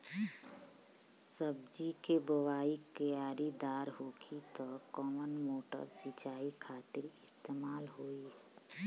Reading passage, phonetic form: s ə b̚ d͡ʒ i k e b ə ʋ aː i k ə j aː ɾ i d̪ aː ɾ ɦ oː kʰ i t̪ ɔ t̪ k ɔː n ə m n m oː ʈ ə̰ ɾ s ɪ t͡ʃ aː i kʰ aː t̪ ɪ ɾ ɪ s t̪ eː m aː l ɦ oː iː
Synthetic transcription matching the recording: s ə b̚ d͡ʒ i k e b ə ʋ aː i k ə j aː ɾ i d̪ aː ɾ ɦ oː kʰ i t̪ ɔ k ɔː m ə n m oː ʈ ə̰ ɾ s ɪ t͡ʃ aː i kʰ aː t̪ ɪ ɾ ɪ s t̪ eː m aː l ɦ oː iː